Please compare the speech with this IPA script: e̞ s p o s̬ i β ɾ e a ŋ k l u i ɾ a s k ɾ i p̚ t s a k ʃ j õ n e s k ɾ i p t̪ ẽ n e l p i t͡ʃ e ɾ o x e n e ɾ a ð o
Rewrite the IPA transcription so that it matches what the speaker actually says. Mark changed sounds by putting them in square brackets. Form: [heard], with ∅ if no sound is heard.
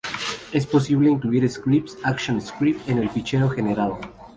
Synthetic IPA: e̞ s p o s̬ i β [l] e [i] ŋ k l u i ɾ [e] s k ɾ i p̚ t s a k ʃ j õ n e s k ɾ i p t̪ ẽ n e l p i t͡ʃ e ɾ o x e n e ɾ a ð o